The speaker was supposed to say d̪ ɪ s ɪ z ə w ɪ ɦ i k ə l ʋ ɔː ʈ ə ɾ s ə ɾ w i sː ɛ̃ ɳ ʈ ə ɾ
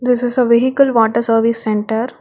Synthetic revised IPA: d̪ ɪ s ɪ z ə ʋ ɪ ɦ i k ə l ʋ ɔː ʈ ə ɾ s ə ɾ ʋ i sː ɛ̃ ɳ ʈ ə ɾ

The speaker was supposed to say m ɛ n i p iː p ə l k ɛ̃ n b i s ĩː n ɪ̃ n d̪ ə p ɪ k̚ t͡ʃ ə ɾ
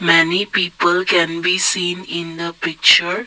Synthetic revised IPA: m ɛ n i p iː p ə l k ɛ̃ n b i s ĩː n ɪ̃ n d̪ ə p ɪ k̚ t͡ʃ ə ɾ

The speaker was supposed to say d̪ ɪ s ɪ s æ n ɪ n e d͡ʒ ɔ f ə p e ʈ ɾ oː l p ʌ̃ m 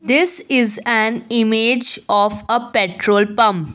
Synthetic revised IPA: d̪ ɪ s ɪ z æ n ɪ m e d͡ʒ ɔ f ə p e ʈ ɾ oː l p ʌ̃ m

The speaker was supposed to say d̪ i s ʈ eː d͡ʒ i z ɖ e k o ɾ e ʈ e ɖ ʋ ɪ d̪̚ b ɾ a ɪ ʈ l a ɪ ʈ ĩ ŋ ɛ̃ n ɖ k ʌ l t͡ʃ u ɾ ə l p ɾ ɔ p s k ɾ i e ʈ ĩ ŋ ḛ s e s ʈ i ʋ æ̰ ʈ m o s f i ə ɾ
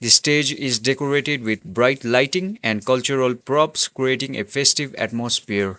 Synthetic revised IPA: d̪ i s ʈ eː d͡ʒ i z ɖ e k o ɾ e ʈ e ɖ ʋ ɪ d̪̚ b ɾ a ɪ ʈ l a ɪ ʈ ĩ ŋ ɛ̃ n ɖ k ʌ l t͡ʃ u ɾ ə l p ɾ ɔ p s k ɾ i e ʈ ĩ ŋ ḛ f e s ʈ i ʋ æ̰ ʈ m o s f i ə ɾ

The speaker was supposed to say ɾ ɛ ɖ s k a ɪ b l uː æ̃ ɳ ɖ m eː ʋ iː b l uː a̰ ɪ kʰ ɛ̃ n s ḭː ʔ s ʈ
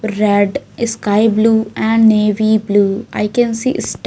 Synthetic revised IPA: ɾ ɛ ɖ s k a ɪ b l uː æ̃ ɳ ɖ n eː ʋ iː b l uː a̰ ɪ k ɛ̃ n s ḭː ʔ s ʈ

